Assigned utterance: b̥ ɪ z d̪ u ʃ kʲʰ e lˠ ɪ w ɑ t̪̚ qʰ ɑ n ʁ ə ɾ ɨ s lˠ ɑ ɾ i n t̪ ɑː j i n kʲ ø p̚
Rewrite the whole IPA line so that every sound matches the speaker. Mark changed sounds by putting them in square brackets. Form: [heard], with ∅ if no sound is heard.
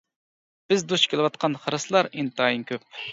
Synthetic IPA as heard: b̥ ɪ z d̪ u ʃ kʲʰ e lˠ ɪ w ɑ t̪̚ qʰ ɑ n [χ] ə ɾ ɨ s lˠ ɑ ɾ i n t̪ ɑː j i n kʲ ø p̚